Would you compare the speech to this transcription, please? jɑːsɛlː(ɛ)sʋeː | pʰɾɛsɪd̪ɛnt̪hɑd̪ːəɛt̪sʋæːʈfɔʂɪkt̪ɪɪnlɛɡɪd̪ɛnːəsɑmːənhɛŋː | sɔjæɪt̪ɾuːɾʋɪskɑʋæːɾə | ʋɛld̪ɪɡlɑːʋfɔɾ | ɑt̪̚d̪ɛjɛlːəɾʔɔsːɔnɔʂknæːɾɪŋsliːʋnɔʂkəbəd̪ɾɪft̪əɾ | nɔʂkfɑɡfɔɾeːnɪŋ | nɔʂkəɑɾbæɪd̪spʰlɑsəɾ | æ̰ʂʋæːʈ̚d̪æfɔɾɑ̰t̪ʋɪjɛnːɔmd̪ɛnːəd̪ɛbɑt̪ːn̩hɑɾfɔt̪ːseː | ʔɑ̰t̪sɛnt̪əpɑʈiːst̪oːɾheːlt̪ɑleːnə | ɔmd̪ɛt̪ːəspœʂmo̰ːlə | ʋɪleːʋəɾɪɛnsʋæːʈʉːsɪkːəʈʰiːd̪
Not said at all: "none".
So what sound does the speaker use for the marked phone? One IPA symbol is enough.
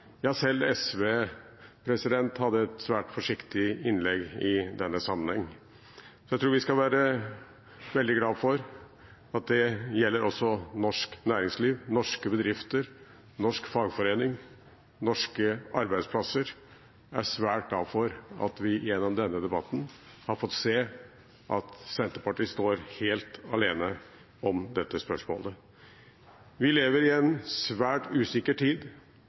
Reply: ɛ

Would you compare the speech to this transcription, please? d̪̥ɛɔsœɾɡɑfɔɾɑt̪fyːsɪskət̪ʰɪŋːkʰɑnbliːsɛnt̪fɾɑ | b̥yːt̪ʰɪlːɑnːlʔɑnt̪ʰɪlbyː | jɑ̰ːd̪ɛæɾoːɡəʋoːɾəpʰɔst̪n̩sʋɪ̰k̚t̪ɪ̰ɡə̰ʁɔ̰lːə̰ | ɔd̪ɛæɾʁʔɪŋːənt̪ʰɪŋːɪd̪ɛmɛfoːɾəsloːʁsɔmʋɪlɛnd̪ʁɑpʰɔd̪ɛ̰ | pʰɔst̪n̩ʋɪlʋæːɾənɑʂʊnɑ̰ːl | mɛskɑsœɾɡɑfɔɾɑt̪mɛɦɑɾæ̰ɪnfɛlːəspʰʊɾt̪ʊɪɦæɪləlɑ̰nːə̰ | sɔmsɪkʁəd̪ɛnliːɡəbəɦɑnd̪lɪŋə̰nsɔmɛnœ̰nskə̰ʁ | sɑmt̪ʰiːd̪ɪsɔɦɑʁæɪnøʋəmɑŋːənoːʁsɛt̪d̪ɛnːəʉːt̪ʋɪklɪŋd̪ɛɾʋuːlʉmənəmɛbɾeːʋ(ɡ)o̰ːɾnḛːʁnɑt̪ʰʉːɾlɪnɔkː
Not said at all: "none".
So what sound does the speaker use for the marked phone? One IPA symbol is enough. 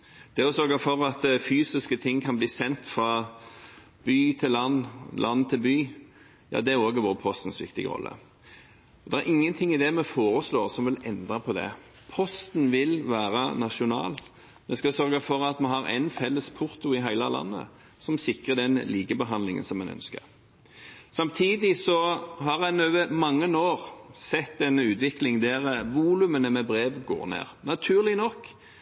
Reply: ɡ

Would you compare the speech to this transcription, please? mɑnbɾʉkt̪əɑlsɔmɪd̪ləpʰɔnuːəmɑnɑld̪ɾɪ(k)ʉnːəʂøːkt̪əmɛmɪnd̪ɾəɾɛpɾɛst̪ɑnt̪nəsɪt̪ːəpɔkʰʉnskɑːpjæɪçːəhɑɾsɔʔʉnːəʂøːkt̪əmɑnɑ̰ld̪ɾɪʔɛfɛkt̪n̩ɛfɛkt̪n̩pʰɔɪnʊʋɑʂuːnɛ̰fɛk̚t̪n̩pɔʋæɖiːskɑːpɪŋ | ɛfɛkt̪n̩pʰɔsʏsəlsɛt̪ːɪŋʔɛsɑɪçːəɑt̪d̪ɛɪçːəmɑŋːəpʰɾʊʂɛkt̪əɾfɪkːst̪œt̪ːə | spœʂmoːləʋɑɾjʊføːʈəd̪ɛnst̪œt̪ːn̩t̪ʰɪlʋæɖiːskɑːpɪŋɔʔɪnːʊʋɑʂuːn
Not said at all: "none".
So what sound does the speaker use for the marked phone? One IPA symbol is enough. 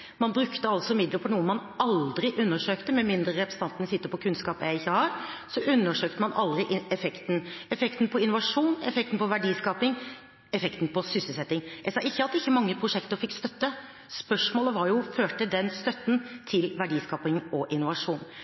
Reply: ʔ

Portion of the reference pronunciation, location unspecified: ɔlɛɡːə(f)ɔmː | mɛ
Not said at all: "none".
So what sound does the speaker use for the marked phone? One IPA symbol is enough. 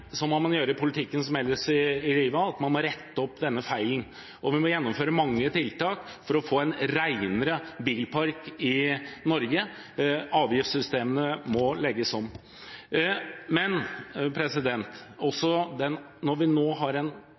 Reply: s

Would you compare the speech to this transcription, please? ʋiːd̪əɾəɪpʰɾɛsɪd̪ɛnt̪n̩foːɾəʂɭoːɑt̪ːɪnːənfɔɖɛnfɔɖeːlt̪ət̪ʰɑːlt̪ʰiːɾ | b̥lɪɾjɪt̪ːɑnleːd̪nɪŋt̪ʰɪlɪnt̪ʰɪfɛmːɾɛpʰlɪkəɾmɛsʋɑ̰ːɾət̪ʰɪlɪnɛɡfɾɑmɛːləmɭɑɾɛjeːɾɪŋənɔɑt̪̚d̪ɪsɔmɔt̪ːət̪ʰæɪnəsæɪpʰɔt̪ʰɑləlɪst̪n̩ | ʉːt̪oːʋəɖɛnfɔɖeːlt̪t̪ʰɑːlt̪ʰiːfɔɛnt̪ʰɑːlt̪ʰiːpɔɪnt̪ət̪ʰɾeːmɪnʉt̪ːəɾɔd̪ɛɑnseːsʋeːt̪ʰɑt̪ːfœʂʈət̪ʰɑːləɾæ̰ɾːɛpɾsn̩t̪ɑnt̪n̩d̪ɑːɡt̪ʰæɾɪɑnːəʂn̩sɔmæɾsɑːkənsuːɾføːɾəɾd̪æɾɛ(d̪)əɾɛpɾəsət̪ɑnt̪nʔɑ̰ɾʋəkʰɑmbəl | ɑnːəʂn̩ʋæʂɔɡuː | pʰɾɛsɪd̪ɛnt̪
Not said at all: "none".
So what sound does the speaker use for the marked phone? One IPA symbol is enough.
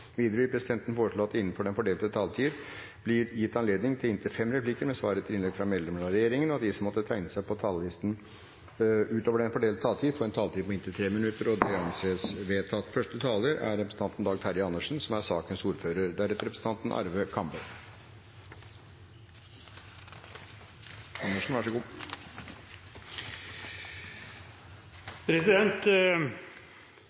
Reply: t̪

